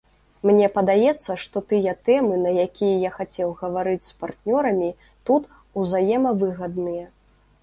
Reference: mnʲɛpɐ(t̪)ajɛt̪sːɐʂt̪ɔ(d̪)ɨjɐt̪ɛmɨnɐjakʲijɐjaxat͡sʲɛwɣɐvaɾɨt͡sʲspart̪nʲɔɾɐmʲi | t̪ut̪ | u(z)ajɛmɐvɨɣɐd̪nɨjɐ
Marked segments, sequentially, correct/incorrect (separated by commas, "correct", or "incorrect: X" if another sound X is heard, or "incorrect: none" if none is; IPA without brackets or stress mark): incorrect: d̪, incorrect: t̪, correct